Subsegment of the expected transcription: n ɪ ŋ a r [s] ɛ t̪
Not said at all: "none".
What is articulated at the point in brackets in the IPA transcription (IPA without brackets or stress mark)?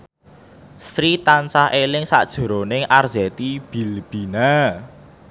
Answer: z